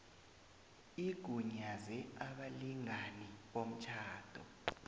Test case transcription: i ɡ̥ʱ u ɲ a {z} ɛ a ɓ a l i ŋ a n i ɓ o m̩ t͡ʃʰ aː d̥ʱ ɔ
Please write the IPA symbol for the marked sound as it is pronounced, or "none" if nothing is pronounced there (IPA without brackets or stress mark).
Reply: z